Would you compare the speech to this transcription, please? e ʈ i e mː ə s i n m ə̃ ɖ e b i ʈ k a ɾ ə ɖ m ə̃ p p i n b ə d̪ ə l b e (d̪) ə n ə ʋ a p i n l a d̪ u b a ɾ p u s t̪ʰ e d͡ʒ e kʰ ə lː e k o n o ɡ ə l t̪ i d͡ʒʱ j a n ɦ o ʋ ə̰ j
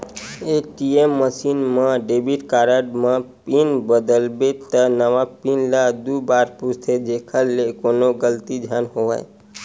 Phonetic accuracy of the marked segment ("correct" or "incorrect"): incorrect